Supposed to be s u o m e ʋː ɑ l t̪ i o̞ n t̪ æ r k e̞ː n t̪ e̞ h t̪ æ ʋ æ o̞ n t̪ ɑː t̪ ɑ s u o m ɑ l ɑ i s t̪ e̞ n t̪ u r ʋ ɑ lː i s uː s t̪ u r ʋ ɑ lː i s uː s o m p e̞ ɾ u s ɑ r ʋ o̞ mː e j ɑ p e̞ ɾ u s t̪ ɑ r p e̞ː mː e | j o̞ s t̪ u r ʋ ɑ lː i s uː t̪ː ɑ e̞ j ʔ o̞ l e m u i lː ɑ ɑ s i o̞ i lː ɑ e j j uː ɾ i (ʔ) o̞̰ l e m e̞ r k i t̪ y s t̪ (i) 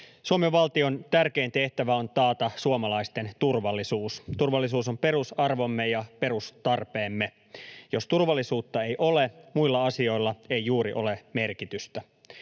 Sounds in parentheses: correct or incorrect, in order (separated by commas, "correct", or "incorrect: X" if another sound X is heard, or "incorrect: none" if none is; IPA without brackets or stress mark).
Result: correct, incorrect: æ